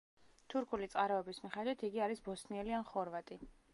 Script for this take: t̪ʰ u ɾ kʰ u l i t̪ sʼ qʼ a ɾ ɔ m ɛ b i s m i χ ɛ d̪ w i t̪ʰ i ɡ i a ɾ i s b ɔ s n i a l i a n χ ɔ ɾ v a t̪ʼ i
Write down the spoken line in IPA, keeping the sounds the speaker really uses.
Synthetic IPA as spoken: t̪ʰ u ɾ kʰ u l i t̪ sʼ qʼ a ɾ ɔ ɛ b i s m i χ ɛ d̪ w i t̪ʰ i ɡ i a ɾ i s b ɔ s n i ɛ l i a n χ ɔ ɾ v a t̪ʼ i